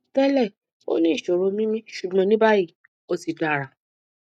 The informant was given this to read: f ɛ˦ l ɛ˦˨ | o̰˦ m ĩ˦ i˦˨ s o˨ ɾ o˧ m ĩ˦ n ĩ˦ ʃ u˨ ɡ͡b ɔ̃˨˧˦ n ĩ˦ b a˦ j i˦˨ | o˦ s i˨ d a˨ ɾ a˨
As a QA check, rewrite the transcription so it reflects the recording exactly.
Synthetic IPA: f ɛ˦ l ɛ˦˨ | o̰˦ n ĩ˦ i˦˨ ʃ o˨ ɾ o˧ m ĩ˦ m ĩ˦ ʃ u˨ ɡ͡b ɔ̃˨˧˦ n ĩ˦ b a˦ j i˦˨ | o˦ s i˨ d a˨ ɾ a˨